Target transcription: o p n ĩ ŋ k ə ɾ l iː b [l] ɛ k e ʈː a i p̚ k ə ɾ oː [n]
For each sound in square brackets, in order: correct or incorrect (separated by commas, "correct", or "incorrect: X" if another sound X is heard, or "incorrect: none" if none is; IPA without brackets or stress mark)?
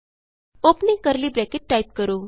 incorrect: ɾ, incorrect: none